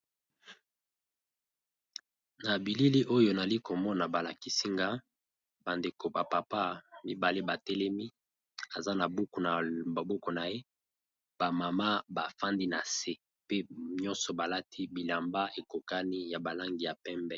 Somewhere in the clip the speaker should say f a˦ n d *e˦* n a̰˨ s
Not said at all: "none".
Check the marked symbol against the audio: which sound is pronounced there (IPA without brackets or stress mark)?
i˦